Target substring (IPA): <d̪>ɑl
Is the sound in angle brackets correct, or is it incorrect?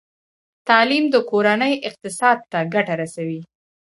incorrect: t̪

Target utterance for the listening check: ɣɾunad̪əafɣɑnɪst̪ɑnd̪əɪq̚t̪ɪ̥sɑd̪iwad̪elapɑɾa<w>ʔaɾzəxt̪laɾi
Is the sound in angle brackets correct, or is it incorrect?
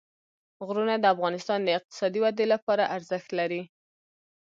incorrect: none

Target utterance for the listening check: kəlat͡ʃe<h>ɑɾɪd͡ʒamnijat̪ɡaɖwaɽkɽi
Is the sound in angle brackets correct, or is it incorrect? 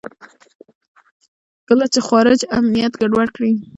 incorrect: x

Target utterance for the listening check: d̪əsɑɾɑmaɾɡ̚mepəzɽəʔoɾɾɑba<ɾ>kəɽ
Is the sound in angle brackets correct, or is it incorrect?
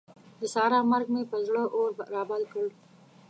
incorrect: l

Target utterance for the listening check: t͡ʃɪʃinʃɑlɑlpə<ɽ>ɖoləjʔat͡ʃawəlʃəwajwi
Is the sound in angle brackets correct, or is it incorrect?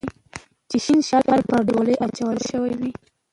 incorrect: ɾ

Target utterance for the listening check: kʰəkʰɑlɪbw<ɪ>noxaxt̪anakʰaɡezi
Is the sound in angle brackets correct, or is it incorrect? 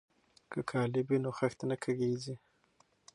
incorrect: i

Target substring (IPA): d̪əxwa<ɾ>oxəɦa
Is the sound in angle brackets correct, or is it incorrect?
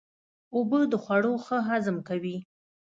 incorrect: ɽ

